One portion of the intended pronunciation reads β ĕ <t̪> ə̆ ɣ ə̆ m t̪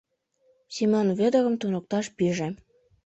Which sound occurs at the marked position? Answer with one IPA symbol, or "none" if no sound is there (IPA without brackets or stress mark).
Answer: d̪